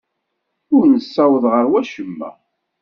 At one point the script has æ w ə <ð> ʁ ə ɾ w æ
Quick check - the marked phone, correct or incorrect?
correct